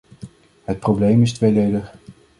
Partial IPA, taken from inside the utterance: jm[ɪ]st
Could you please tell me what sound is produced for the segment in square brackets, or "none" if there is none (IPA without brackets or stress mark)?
ɪ